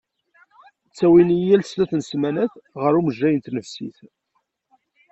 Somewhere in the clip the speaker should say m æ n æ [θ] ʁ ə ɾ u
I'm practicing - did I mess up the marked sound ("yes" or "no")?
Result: no